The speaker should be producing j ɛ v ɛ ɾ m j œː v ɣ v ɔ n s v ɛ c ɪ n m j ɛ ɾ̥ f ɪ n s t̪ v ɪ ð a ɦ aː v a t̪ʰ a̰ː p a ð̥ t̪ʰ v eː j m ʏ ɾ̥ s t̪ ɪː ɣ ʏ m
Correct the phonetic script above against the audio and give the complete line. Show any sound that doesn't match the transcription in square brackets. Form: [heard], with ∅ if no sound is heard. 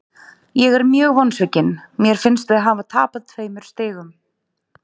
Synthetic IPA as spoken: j ɛ [ɣ] ɛ ɾ m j œː [∅] ɣ v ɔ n s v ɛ c ɪ n m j ɛ ɾ̥ f ɪ n s t̪ v ɪ ð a ɦ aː v a t̪ʰ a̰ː p a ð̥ t̪ʰ v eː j m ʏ ɾ̥ s t̪ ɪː ɣ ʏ m